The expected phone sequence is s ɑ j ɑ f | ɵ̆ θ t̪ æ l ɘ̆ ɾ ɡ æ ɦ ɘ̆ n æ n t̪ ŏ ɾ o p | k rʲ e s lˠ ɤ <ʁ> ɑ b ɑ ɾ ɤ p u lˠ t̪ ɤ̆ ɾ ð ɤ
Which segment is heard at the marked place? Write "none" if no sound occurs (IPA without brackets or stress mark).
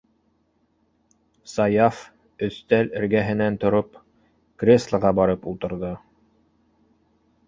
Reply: ʁ